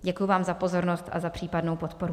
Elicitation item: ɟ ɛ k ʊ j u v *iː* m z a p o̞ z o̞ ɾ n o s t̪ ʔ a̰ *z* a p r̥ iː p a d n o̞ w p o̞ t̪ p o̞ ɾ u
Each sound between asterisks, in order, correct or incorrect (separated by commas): incorrect, correct